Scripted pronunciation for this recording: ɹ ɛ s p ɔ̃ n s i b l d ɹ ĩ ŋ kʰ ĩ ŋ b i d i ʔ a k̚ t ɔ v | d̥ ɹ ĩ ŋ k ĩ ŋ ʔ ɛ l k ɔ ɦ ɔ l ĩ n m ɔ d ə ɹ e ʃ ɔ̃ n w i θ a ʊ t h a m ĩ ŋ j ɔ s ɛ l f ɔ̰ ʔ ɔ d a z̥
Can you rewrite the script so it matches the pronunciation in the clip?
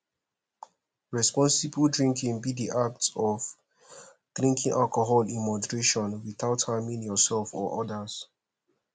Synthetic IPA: ɹ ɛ s p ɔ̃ n s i b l d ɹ ĩ ŋ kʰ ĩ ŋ b i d i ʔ a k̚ t ɔ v | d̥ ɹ ĩ ŋ k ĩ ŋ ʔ a l k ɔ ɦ ɔ l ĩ n m ɔ d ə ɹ e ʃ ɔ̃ n w i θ a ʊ t h a m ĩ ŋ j ɔ s ɛ l f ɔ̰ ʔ ɔ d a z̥